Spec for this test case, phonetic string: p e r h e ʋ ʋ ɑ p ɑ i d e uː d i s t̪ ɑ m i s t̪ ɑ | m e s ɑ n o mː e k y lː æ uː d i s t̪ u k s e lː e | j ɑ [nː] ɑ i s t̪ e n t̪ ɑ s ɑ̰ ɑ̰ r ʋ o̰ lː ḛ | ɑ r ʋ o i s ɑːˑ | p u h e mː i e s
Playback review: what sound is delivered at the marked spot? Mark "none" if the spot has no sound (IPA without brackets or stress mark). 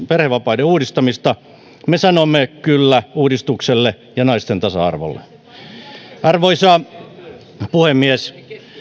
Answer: n